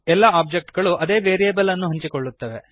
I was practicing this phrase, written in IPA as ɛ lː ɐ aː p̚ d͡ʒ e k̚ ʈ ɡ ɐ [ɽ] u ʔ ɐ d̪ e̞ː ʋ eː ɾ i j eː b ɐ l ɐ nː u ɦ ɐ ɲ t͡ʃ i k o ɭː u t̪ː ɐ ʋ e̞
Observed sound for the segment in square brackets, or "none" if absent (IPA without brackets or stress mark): ɭ